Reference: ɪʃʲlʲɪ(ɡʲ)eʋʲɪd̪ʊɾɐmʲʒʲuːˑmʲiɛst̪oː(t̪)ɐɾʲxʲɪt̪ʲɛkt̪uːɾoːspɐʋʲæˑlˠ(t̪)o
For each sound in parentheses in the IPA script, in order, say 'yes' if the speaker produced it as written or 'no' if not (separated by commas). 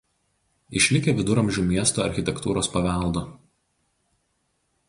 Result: no, no, no